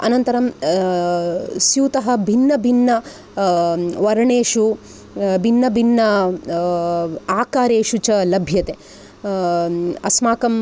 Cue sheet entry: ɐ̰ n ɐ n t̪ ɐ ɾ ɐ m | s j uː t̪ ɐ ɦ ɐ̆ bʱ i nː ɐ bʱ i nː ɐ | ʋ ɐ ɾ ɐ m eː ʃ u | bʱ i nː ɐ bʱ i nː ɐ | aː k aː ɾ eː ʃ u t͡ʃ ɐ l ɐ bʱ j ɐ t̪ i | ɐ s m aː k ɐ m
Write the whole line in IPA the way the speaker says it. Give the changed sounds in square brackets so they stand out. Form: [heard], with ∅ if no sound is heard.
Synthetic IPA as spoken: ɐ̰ n ɐ n t̪ ɐ ɾ ɐ m | s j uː t̪ ɐ ɦ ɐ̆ bʱ i nː ɐ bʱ i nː ɐ | ʋ ɐ ɾ ɐ [ɳ] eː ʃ u | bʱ i nː ɐ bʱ i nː ɐ | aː k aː ɾ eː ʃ u t͡ʃ ɐ l ɐ bʱ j ɐ t̪ [e] | ɐ s m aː k ɐ m